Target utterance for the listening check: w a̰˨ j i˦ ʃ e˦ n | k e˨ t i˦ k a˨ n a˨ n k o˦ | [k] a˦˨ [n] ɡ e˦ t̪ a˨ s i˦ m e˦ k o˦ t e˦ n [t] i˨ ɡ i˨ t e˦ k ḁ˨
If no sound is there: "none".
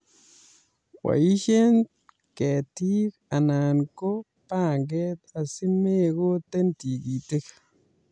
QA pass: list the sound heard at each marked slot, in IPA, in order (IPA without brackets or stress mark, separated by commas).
p, ŋ, t